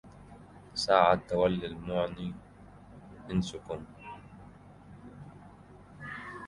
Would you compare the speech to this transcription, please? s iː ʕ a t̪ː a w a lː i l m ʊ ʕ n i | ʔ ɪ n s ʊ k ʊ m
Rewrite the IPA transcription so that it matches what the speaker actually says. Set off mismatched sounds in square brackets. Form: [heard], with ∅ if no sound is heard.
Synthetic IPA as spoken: s [aː] ʕ a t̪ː a w a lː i l m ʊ ʕ n i | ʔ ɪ n s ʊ k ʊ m